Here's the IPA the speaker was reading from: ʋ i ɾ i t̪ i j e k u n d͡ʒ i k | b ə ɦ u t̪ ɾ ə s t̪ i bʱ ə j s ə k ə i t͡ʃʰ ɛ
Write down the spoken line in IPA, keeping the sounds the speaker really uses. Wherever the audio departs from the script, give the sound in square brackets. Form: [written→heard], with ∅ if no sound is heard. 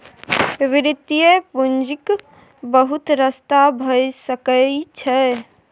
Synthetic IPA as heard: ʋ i ɾ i t̪ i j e [k→p] u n d͡ʒ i k | b ə ɦ u t̪ ɾ ə s t̪ [i→a] bʱ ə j s ə k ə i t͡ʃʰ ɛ